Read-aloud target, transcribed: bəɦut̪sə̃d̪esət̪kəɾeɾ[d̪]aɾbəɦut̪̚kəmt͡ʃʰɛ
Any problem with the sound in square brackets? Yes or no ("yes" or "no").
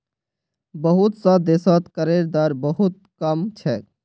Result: no